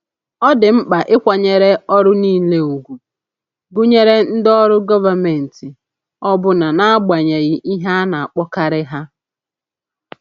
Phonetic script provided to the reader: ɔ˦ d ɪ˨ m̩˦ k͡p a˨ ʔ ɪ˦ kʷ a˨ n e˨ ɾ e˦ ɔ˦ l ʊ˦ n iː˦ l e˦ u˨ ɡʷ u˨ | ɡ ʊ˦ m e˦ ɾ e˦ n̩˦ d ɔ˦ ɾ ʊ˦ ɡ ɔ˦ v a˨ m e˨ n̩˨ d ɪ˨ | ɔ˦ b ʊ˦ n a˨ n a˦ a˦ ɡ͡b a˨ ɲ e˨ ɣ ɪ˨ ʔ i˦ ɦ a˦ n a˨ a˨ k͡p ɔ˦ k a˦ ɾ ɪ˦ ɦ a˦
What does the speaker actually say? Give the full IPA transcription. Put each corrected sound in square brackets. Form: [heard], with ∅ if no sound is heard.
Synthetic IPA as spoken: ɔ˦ d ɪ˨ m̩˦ k͡p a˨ ʔ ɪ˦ kʷ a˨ [ɲ] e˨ ɾ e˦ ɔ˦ [ɾ] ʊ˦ n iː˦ l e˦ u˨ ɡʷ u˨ | ɡ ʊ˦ [ɲ] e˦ ɾ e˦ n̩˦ d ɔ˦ ɾ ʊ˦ ɡ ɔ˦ v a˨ m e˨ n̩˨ [t] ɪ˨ | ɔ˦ b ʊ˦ n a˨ n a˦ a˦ ɡ͡b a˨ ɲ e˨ ɣ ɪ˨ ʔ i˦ ɦ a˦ n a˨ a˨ k͡p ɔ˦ k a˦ ɾ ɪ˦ ɦ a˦